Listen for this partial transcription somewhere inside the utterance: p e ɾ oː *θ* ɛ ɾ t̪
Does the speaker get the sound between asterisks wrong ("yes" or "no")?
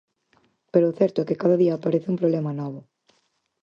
no